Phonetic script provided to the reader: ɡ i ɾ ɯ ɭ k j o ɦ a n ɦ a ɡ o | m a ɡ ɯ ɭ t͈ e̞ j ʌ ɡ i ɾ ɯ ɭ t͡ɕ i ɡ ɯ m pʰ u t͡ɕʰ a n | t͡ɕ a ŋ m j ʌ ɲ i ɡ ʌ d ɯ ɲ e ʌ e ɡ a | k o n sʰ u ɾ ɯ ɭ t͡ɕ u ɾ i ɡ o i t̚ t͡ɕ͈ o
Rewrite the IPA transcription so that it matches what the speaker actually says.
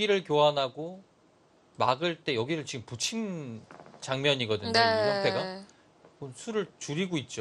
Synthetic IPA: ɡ i ɾ ɯ ɭ k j o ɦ a n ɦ a ɡ o | m a ɡ ɯ ɭ t͈ e̞ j ʌ ɡ i ɾ ɯ ɭ t͡ɕ i ɡ ɯ m p u t͡ɕʰ i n | t͡ɕ a ŋ m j ʌ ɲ i ɡ ʌ d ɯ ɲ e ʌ e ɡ a | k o n sʰ u ɾ ɯ ɭ t͡ɕ u ɾ i ɡ o i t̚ t͡ɕ͈ o